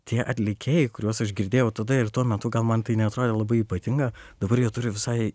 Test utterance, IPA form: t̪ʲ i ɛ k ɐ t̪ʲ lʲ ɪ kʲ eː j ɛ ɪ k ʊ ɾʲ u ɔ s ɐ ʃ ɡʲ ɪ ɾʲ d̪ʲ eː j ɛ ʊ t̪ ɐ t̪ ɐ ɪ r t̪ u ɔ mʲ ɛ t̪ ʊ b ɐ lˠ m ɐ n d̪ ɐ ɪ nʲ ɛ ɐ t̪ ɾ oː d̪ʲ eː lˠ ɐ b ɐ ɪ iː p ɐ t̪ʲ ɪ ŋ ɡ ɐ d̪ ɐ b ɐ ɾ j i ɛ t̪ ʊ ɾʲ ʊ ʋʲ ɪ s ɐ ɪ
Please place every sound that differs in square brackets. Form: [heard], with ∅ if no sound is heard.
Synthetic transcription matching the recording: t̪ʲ i ɛ [ʔ] ɐ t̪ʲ lʲ ɪ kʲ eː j ɛ ɪ k ʊ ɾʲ u ɔ s ɐ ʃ ɡʲ ɪ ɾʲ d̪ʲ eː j ɛ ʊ t̪ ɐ [d̪] ɐ ɪ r t̪ u ɔ mʲ ɛ t̪ ʊ [ɡ] ɐ lˠ m ɐ n [t̪] ɐ ɪ nʲ ɛ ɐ t̪ ɾ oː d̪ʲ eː lˠ ɐ b ɐ ɪ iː p ɐ t̪ʲ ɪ ŋ ɡ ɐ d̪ ɐ b ɐ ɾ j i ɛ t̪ ʊ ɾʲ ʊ ʋʲ ɪ s ɐ ɪ